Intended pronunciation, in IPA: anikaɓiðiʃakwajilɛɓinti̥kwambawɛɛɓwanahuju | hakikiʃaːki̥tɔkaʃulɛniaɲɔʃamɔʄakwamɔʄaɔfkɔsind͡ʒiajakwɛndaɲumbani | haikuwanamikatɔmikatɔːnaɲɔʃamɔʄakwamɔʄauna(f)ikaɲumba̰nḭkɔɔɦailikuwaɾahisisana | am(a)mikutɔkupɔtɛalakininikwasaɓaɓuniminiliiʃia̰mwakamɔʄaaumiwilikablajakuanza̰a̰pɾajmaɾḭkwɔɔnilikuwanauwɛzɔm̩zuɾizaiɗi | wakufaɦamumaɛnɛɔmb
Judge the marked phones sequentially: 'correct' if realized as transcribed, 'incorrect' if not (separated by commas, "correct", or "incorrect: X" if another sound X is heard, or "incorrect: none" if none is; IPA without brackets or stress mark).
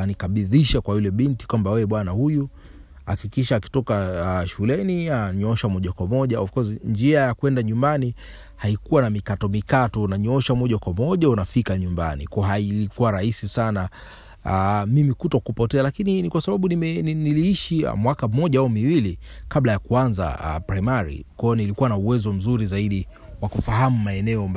correct, incorrect: i